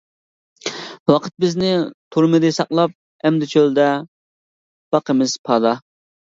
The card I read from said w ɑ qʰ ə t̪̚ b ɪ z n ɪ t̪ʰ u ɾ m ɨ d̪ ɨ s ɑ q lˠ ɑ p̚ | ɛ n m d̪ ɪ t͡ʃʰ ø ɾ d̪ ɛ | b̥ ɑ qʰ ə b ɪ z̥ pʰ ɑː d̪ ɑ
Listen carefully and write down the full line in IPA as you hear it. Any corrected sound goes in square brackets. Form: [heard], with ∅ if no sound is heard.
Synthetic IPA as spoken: w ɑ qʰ ə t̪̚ b ɪ z n ɪ t̪ʰ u ɾ m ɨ d̪ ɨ s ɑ q lˠ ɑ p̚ | ɛ [∅] m d̪ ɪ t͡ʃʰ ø [l] d̪ ɛ | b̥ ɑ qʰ ə [m] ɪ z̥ pʰ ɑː d̪ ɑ